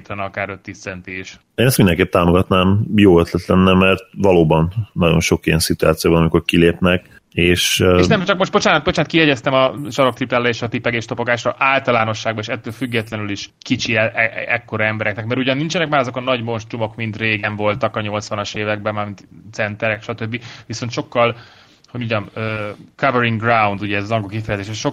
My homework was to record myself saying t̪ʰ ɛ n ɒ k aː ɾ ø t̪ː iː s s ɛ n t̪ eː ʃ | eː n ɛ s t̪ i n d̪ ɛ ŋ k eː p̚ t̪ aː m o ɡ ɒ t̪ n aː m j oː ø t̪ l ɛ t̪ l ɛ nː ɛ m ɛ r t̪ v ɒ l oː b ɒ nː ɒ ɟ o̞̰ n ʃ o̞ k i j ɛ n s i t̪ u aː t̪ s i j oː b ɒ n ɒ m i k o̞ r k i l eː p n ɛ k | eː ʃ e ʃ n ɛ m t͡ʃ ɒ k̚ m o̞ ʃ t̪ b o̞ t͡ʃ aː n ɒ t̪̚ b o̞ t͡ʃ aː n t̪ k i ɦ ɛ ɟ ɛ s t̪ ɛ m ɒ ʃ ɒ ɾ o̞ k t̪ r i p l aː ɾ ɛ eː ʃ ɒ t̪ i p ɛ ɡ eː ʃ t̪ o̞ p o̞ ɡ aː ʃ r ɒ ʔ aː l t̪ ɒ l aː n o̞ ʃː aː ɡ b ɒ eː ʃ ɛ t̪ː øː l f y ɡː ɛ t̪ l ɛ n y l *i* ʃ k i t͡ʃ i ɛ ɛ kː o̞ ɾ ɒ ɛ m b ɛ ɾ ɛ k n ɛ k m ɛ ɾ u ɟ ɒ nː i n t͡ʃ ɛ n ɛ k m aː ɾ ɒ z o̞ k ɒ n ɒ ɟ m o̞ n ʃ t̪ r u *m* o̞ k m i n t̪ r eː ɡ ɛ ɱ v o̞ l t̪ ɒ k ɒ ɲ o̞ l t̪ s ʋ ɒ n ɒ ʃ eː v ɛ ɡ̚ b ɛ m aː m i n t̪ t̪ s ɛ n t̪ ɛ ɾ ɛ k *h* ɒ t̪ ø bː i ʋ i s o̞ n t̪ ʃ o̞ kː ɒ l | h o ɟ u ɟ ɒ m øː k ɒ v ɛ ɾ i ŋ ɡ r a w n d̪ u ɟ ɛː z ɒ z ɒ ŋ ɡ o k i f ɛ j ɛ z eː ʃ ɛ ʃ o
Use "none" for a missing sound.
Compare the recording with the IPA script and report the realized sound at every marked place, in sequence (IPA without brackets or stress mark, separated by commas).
i, m, ʃ